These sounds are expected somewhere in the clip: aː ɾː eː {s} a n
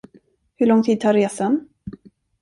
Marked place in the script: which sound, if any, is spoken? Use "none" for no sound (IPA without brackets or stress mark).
s